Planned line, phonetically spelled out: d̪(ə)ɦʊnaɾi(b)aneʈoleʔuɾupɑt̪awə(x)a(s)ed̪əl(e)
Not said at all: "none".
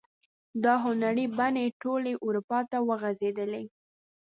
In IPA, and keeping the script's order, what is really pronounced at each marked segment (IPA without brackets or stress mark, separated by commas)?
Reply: ɑ, b, ɣ, z, e